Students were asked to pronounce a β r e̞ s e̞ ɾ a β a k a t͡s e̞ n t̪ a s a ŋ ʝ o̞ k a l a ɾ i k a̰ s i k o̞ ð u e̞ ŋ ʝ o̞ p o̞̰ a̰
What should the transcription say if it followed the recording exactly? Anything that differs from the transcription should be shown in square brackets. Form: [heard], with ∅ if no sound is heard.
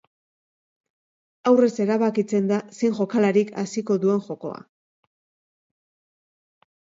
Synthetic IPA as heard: a [w] r e̞ s e̞ ɾ a β a k [i] t͡s e̞ n [d̪] a s [i] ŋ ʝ o̞ k a l a ɾ i k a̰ s i k o̞ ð u e̞ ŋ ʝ o̞ [k] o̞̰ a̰